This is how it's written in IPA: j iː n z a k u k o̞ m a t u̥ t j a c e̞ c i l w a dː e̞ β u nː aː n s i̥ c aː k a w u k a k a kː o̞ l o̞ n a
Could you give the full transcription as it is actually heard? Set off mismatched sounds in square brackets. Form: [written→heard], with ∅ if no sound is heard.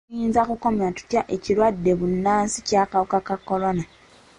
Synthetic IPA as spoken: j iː n z a k u k o̞ m a t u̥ t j a [c→ʔ] e̞ c i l w a dː e̞ β u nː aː n s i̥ c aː k a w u k a k a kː o̞ l o̞ n a